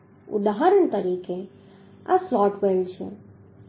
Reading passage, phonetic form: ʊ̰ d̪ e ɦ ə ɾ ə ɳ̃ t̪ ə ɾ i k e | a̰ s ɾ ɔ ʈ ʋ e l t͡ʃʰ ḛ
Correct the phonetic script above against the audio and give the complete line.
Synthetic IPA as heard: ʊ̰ d̪ a ɦ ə ɾ ə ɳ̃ t̪ ə ɾ i k e | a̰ s l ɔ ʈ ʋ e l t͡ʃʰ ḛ